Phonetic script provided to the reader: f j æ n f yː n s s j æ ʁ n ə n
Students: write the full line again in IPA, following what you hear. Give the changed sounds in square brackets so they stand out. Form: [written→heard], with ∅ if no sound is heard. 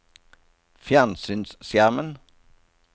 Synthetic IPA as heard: f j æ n [f→s] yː n s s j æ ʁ [n→m] ə n

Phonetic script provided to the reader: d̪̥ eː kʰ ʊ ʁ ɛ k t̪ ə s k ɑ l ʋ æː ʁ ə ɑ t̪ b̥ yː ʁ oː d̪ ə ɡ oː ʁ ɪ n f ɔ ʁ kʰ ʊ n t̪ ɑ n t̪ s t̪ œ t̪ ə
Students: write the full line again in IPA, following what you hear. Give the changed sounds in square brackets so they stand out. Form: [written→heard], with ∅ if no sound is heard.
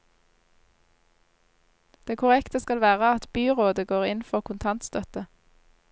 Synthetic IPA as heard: d̪̥ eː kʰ ʊ ʁ ɛ k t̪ ə s k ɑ l ʋ æː ʁ ə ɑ t̪ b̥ yː ʁ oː d̪ ə ɡ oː ʁ ɪ n f ɔ ʁ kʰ ʊ n [t̪→t̪ʰ] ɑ n t̪ s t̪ œ t̪ ə

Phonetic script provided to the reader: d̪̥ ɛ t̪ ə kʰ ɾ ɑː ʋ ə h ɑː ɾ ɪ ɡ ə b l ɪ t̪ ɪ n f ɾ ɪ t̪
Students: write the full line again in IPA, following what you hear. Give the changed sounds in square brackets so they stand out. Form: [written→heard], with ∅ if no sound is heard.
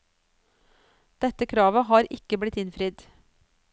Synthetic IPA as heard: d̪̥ ɛ t̪ ə kʰ ɾ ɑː ʋ ə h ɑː ɾ ɪ [ɡ→k] ə b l ɪ t̪ ɪ n f ɾ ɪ [t̪→d̪]

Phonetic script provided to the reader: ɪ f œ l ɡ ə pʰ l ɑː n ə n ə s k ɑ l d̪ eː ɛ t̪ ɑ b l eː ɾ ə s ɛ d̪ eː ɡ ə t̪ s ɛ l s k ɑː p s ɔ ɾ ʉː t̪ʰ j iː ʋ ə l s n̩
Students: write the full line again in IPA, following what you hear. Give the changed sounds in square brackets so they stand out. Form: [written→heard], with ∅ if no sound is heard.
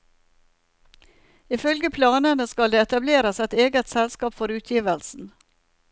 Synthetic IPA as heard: ɪ f œ l ɡ ə pʰ l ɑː n ə n ə s k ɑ l d̪ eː ɛ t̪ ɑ b l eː ɾ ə s ɛ [d̪→t̪] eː ɡ ə t̪ s ɛ l s k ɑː p [s→f] ɔ ɾ ʉː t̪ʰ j iː ʋ ə l s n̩

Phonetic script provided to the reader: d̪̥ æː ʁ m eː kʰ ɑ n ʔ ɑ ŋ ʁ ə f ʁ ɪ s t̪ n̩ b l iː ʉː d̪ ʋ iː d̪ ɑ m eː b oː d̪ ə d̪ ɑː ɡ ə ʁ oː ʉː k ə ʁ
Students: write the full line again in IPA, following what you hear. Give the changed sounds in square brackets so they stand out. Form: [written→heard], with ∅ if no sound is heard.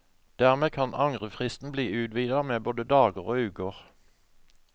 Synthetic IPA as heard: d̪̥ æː ʁ m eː kʰ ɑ n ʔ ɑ ŋ ʁ ə f ʁ ɪ s t̪ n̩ b l iː ʉː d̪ ʋ iː d̪ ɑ m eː b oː d̪ ə d̪ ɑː ɡ ə ʁ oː ʉː k ə ʁ

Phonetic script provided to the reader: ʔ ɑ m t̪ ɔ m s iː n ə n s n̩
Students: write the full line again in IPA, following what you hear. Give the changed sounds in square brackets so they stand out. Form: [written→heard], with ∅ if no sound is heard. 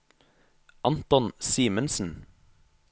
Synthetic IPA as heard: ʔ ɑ [m→n] t̪ ɔ [m→n] s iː [n→m] ə n s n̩

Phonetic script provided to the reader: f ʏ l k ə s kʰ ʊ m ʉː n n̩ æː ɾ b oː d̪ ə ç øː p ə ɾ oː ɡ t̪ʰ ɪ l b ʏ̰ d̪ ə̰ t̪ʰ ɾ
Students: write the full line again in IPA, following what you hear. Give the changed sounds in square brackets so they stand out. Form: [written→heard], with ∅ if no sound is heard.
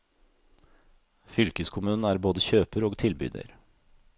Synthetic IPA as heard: f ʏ l k ə s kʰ ʊ m ʉː n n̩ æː ɾ b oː d̪ ə ç øː p ə ɾ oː ɡ t̪ʰ ɪ l b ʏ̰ d̪ ə̰ [t̪ʰ→∅] ɾ

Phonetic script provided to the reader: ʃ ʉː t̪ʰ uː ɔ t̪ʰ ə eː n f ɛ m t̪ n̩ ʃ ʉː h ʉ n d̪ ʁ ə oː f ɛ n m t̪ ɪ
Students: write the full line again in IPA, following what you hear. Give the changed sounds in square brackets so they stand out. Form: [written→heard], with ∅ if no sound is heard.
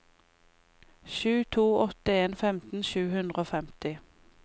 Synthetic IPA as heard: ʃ ʉː t̪ʰ uː ɔ [t̪ʰ→t̪] ə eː n f ɛ m t̪ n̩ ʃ ʉː h ʉ n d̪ ʁ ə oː f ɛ [n→∅] m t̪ ɪ

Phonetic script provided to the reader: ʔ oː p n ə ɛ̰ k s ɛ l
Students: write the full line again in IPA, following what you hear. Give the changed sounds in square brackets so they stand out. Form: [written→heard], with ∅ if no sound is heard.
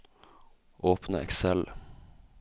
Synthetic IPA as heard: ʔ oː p n ə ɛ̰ k s ɛ l

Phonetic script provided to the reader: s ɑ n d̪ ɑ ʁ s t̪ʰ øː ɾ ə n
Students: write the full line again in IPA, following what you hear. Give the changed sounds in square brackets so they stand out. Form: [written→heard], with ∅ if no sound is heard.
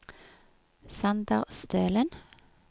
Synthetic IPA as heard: s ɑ n d̪ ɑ ʁ s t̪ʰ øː [ɾ→l] ə n

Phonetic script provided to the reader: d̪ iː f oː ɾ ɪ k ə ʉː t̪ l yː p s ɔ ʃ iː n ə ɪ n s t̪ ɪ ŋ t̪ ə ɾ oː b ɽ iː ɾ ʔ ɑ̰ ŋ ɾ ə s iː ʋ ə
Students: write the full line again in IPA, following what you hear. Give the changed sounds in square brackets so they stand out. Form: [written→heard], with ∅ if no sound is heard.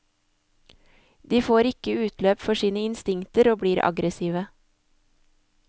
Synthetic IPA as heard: d̪ iː f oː ɾ ɪ k ə ʉː t̪ l [yː→øː] p [s→f] ɔ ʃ iː n ə ɪ n s t̪ ɪ ŋ t̪ ə ɾ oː b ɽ iː ɾ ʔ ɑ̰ [ŋ→ɡ] ɾ ə s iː ʋ ə

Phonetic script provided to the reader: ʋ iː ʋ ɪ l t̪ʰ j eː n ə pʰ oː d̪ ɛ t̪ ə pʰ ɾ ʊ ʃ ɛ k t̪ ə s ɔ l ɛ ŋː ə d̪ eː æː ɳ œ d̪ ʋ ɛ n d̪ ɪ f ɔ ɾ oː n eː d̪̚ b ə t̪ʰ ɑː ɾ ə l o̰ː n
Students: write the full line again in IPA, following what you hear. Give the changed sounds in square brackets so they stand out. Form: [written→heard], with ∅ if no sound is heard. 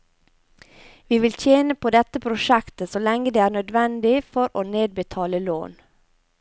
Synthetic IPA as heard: ʋ iː ʋ ɪ l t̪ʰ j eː n ə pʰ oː d̪ ɛ t̪ ə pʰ ɾ ʊ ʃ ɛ k t̪ ə s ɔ l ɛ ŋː ə d̪ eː æː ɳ œ d̪ ʋ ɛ n d̪ ɪ f ɔ ɾ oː n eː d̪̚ b ə t̪ʰ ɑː [ɾ→l] ə l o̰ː n

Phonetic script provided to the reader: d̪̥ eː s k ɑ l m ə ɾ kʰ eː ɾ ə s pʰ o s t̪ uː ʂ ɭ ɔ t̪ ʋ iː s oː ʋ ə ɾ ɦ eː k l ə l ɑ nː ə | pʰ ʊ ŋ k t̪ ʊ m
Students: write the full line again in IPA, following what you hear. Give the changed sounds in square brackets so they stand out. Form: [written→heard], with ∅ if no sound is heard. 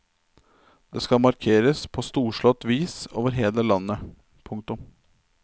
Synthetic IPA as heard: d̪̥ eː s k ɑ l m [ə→ɑ] ɾ kʰ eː ɾ ə s pʰ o s t̪ uː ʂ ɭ ɔ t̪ ʋ iː s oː ʋ ə ɾ ɦ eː [k→∅] l ə l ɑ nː ə | pʰ ʊ ŋ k t̪ ʊ m

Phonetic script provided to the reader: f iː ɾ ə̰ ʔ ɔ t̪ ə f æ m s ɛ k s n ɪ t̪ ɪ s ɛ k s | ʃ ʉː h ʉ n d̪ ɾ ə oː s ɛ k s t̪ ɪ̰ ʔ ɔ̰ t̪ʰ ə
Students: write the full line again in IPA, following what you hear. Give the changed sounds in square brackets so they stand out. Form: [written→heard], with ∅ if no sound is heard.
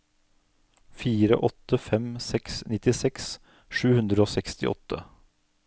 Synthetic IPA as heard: f iː ɾ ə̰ ʔ ɔ t̪ ə f [æ→ɛ] m s ɛ k s n ɪ t̪ ɪ s ɛ k s | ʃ ʉː h ʉ n d̪ ɾ ə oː s ɛ k s t̪ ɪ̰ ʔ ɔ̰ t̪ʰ ə

